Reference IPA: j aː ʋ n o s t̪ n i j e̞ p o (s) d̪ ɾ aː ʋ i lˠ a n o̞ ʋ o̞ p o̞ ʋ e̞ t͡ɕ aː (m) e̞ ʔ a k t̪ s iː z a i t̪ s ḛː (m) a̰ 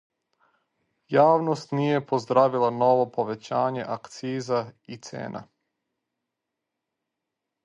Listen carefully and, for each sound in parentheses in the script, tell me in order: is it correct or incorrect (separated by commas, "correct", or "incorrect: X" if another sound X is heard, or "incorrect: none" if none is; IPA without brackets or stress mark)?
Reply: incorrect: z, incorrect: ɲ, incorrect: n